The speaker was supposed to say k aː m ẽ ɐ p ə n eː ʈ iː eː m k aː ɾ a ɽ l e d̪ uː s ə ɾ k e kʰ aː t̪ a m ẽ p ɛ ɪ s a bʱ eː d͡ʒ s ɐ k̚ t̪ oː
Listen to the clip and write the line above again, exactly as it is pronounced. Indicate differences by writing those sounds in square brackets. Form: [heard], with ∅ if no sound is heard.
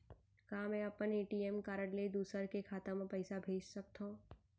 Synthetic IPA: k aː m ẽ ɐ p ə n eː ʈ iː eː m k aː ɾ [ə] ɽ l e d̪ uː s ə ɾ k e kʰ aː t̪ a m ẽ p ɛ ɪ s a bʱ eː d͡ʒ s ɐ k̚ t̪ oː